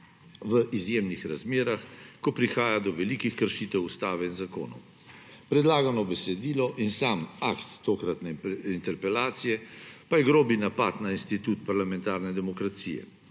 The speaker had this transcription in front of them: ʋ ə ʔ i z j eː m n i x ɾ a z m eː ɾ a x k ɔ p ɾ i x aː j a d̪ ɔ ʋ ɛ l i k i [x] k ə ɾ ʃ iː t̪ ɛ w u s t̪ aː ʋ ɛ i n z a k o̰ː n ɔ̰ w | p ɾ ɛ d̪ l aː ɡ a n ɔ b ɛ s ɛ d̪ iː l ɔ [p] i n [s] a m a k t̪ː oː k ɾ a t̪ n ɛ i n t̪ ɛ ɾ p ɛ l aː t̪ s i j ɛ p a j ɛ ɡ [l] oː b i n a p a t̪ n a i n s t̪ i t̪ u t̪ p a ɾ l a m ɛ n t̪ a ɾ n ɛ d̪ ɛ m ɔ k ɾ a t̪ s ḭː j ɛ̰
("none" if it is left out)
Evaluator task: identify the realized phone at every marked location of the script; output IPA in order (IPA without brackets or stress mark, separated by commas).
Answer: x, ʔ, s, ɾ